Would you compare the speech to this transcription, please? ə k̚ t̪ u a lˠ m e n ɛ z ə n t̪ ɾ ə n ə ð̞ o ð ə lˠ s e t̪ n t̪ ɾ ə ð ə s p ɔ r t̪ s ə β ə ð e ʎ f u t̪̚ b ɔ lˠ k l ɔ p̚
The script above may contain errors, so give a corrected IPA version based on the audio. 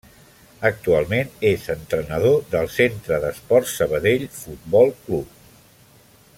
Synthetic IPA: ə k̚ t̪ u a lˠ m e n e z ə n t̪ ɾ ə n ə ð̞ o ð ə lˠ s e n t̪ ɾ ə ð ə s p ɔ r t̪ s ə β ə ð e ʎ f u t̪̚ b ɔ lˠ k l u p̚